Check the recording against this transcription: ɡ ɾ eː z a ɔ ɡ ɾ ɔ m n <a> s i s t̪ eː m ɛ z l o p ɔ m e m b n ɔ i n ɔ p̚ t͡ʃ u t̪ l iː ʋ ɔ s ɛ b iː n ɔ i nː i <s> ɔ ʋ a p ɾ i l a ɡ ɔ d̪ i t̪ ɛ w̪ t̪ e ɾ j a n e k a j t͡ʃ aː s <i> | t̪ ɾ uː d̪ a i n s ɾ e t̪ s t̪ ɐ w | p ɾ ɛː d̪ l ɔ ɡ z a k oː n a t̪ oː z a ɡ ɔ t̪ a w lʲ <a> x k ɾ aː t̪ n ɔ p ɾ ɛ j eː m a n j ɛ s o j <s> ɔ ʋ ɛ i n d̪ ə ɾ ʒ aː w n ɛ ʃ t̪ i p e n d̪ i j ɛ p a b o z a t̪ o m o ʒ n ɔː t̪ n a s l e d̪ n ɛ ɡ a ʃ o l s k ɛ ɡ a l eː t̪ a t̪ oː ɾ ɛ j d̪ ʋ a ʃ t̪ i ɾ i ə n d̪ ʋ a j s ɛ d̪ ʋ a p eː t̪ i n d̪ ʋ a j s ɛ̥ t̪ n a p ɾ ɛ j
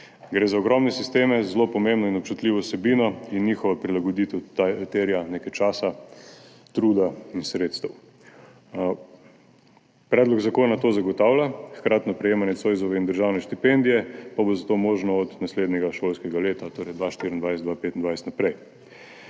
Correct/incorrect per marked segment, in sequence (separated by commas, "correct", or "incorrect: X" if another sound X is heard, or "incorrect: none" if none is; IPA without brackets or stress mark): incorrect: ɛ, incorrect: x, incorrect: a, correct, incorrect: z